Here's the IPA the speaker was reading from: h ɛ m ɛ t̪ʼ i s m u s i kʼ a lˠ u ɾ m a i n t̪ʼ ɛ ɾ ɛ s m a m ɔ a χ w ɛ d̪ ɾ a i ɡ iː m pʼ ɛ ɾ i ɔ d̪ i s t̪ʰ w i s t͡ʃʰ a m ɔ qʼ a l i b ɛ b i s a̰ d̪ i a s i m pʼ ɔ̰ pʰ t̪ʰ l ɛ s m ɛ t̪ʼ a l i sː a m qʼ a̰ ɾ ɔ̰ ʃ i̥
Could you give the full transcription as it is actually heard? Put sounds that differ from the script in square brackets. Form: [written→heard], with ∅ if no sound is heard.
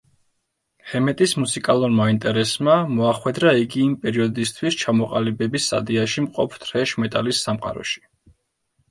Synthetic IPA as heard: h ɛ m ɛ t̪ʼ i s m u s i kʼ a lˠ u ɾ m a i n t̪ʼ ɛ ɾ ɛ s m a m ɔ a χ w ɛ d̪ ɾ a i ɡ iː m pʼ ɛ ɾ i ɔ d̪ i s t̪ʰ w i s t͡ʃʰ a m ɔ qʼ a l i b ɛ b i s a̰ d̪ i a [s→ʃ] i m [pʼ→qʼ] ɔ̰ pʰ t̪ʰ [l→ɾ] ɛ [s→ʃ] m ɛ t̪ʼ a l i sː a m qʼ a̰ ɾ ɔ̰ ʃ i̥

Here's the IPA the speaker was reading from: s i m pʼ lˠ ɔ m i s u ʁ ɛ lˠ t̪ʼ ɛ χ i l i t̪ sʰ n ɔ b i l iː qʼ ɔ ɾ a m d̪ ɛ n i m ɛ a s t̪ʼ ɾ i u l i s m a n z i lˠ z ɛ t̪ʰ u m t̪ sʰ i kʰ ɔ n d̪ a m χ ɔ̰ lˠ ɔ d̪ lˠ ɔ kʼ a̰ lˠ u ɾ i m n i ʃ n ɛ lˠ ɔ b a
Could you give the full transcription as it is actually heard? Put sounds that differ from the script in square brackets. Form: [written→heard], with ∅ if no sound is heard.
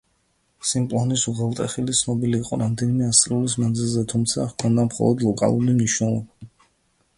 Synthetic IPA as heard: s i m pʼ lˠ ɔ [m→n] i s u ʁ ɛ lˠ t̪ʼ ɛ χ i l i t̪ sʰ n ɔ b i l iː qʼ ɔ ɾ a m d̪ ɛ n i m ɛ a s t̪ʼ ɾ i u l i s m a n z i lˠ z ɛ t̪ʰ u m t̪ sʰ [i→a] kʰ ɔ n d̪ a m χ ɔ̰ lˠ ɔ d̪ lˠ ɔ kʼ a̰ lˠ u ɾ i m n i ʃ n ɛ lˠ ɔ b a

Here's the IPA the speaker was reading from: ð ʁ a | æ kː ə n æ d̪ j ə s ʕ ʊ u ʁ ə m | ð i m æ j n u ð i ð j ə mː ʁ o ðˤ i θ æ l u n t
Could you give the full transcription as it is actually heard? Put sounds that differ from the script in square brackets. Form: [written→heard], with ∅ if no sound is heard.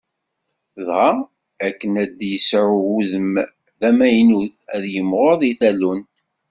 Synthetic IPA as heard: ð ʁ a | æ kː ə n æ d̪ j ə s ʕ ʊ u [ʁ→ð] ə m | ð [i→æ] m æ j n u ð [i→æ] ð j ə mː ʁ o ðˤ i θ æ l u n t

